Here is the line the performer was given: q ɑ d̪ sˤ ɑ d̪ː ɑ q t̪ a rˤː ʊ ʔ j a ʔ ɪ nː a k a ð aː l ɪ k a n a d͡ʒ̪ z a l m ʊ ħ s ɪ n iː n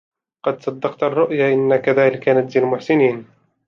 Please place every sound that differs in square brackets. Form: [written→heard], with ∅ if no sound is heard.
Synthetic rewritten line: q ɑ d̪ sˤ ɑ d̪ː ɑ q t̪ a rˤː ʊ ʔ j a ʔ ɪ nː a k a ð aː l ɪ k a n a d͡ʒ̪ z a l m ʊ ħ s ɪ n iː n